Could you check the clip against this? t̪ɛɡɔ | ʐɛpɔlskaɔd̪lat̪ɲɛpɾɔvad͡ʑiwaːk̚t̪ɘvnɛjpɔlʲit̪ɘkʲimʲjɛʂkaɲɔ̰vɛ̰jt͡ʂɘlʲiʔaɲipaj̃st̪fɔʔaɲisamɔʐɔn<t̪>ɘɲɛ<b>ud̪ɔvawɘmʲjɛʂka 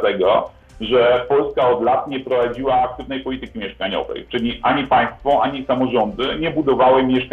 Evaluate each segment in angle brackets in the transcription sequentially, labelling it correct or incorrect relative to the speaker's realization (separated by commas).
incorrect, correct